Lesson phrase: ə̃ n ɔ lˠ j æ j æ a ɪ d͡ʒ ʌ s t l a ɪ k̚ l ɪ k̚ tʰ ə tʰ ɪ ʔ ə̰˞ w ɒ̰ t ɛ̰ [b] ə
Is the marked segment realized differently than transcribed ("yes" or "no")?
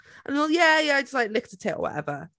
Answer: yes